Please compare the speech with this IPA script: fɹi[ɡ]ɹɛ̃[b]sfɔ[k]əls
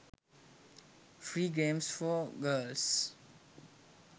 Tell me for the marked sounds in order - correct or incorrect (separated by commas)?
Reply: correct, incorrect, incorrect